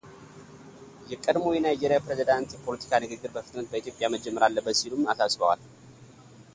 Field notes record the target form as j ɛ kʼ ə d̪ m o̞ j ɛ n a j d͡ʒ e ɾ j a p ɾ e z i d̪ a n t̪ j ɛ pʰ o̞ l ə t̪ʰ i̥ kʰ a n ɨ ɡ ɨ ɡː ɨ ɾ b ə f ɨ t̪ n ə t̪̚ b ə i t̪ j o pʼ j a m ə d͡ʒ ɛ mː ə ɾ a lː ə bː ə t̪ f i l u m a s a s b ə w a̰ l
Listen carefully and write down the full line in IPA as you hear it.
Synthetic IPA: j ɛ kʼ ə d̪ m o̞ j ɛ n a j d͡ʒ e ɾ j a p ɾ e z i d̪ a n t̪ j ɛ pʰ o̞ l ə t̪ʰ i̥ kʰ a n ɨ ɡ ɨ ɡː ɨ ɾ b ə f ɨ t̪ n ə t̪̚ b ə i t̪ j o pʼ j a m ə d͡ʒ ɛ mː ə ɾ a lː ə bː ə t̪ s i l u m a s a s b ə w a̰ l